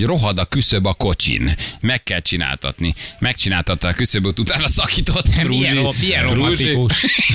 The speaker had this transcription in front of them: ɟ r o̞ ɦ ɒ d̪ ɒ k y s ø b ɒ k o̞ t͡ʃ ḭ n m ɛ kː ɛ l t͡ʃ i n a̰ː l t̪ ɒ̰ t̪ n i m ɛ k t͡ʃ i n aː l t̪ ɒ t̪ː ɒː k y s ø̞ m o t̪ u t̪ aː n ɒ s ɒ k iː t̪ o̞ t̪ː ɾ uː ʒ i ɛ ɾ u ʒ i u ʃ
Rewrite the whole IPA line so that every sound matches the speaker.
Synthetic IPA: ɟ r o̞ ɦ ɒ d̪ ɒ k y s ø b ɒ k o̞ t͡ʃ ḭ n m ɛ kː ɛ l t͡ʃ i n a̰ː l t̪ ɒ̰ t̪ n i m ɛ k t͡ʃ i n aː l t̪ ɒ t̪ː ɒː k y s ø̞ b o t̪ u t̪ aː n ɒ s ɒ k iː t̪ o̞ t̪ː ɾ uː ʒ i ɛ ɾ u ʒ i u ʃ